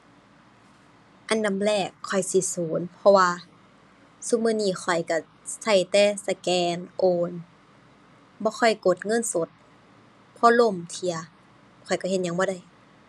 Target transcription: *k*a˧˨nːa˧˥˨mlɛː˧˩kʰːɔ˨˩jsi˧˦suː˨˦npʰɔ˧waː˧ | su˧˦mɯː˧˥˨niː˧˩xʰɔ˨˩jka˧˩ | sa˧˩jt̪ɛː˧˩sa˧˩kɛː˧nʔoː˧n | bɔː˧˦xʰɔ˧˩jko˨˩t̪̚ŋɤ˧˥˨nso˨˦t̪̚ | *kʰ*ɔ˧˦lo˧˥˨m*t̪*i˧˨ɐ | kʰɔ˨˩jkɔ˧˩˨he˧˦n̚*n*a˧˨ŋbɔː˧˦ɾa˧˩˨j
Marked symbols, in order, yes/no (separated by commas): no, no, no, no